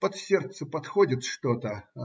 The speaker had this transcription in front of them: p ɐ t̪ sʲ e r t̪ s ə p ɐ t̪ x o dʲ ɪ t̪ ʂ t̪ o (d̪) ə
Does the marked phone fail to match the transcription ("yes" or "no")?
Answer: yes